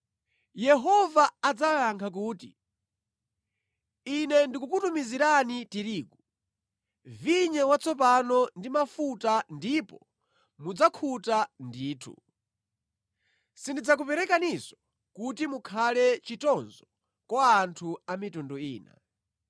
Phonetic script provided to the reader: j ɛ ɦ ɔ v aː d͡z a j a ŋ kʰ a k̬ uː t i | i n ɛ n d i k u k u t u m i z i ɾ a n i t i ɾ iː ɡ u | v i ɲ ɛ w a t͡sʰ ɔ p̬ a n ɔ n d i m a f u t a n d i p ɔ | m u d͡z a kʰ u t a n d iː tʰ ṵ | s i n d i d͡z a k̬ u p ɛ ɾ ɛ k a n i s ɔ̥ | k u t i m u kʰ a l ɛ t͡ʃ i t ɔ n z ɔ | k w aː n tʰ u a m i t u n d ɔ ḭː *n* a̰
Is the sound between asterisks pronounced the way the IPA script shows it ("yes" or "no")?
yes